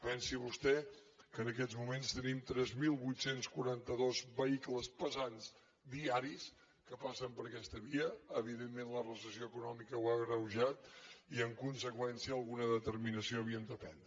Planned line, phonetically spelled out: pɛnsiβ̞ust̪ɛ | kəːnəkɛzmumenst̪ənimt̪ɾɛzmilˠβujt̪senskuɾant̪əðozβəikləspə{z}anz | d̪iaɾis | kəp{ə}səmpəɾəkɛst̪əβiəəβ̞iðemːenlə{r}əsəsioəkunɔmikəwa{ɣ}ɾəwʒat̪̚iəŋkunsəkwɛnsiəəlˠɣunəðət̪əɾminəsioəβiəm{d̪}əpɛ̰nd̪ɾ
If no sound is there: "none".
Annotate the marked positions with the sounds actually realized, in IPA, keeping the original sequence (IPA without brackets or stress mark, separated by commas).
z, a, r, ɣ, d̪